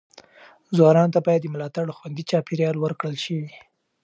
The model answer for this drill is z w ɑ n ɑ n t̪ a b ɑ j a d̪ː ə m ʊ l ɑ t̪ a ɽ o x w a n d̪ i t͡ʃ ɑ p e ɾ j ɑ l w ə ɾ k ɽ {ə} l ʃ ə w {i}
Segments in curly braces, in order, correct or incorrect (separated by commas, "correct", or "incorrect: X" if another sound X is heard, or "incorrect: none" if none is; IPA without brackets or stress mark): correct, correct